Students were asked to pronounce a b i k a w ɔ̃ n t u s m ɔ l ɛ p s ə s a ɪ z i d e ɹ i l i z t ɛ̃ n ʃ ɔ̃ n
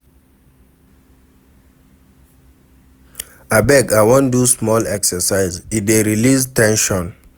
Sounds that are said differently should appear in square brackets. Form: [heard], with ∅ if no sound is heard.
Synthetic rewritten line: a b [ɛ] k a w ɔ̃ n [d] u s m ɔ l ɛ [k] s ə s a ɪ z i d e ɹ i l i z t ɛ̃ n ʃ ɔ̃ n